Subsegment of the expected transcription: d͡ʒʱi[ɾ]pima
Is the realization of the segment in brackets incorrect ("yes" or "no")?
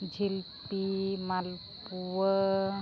yes